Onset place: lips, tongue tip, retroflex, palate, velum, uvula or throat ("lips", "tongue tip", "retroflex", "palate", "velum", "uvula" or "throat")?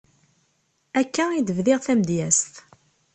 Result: velum